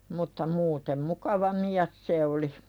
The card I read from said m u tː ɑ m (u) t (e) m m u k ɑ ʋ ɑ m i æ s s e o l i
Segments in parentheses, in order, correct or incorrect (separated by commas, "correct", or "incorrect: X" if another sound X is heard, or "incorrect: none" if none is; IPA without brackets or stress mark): incorrect: uː, correct